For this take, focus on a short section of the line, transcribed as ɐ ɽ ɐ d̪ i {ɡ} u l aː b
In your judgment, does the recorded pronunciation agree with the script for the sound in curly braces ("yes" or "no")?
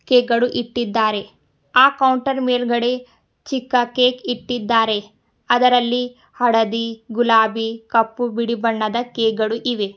yes